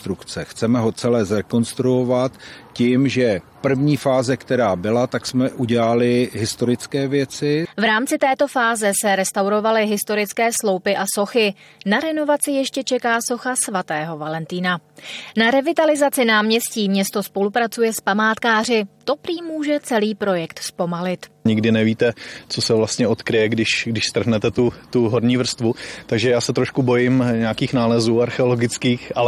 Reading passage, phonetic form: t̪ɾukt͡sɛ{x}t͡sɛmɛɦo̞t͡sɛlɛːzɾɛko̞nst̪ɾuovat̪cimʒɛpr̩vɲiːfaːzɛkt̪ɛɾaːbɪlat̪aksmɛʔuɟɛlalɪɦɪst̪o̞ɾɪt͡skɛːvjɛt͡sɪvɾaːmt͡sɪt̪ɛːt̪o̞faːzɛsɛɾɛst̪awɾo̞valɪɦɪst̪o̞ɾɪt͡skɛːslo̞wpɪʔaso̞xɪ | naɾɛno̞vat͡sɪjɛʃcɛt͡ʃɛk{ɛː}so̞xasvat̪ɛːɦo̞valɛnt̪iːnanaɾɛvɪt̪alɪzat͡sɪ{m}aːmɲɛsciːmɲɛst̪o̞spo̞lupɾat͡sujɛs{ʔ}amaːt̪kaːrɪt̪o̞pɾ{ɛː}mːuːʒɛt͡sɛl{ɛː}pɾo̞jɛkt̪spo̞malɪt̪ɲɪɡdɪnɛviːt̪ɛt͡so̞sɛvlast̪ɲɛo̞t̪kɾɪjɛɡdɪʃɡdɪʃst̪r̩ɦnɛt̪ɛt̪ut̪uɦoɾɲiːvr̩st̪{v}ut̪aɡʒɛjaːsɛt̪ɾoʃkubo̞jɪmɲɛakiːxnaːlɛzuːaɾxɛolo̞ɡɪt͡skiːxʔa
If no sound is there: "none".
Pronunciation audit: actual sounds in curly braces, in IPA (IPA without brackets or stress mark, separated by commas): x, aː, n, p, iː, iː, v